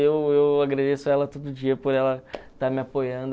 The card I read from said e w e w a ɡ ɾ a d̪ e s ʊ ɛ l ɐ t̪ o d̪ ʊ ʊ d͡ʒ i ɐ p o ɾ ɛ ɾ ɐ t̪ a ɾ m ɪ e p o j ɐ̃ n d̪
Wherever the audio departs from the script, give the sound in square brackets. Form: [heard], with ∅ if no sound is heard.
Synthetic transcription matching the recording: e w e w a ɡ ɾ a d̪ e s ʊ ɛ l ɐ t̪ o d̪ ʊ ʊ d͡ʒ i ɐ p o ɾ ɛ [l] ɐ t̪ a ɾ m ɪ [a] p o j ɐ̃ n d̪